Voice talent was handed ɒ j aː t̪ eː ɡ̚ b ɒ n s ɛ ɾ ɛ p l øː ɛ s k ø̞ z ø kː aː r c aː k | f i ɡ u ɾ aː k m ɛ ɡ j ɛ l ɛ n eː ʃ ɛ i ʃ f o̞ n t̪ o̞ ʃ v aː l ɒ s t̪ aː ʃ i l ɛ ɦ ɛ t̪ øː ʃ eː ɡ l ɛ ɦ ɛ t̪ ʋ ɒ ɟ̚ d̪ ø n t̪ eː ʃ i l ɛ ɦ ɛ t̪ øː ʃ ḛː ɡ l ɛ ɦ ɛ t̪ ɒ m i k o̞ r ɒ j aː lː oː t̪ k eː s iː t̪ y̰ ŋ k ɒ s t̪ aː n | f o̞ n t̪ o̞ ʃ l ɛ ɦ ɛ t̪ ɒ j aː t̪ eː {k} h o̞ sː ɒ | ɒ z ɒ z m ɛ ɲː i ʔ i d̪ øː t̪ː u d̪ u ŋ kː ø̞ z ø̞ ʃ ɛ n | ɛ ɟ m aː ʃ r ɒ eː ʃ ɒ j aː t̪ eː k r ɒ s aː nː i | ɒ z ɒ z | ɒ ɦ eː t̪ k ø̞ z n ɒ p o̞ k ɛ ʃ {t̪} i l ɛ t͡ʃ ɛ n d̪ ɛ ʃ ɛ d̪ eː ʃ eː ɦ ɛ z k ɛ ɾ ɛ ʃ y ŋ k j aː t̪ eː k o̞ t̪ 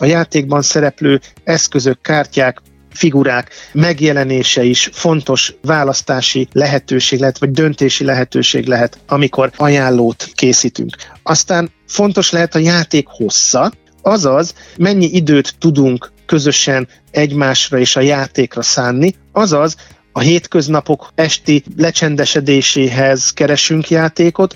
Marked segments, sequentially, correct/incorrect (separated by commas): correct, correct